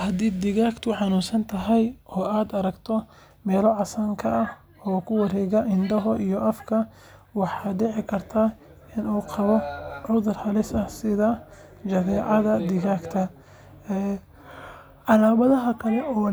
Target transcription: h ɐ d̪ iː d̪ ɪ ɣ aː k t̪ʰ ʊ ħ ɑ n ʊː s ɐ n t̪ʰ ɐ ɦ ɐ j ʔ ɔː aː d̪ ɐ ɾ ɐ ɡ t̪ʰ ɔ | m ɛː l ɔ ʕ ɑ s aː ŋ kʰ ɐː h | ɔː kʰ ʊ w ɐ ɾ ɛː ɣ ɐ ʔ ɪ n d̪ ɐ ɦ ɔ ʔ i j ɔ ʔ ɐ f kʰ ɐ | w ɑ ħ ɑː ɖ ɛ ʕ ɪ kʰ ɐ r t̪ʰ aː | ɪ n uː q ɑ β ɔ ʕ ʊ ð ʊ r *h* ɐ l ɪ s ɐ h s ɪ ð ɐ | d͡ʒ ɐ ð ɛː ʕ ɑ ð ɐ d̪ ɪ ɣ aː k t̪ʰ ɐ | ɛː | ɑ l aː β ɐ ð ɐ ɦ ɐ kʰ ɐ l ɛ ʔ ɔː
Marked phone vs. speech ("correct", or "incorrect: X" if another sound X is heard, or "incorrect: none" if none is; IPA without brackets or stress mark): correct